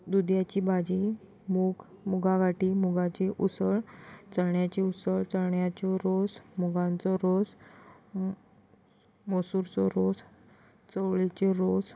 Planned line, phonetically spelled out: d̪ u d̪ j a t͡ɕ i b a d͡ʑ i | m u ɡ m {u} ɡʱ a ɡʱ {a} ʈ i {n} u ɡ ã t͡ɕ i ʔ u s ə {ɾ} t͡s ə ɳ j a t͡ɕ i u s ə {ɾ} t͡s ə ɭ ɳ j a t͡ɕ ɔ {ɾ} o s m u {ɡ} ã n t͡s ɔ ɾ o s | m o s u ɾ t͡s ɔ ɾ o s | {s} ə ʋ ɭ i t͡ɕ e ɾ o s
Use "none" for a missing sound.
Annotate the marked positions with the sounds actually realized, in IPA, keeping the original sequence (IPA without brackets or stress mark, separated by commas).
u, a, m, ɭ, ɭ, ɾ, ɡ, t͡s